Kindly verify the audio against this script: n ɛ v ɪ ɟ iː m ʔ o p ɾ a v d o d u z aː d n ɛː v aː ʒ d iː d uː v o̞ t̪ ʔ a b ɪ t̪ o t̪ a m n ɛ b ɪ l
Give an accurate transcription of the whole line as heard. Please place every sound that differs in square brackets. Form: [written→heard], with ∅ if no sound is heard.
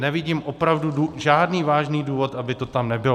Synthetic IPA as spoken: n ɛ v ɪ ɟ iː m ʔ o p ɾ a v d [o→u] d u [z→ʒ] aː d n [ɛː→iː] v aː ʒ [d→n] iː d uː v o̞ t̪ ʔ a b ɪ t̪ o t̪ a m n ɛ b ɪ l